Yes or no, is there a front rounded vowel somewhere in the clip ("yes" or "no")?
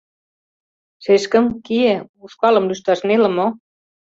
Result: yes